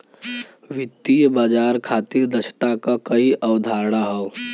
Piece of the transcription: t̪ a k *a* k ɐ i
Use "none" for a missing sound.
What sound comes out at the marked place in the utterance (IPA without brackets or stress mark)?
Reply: a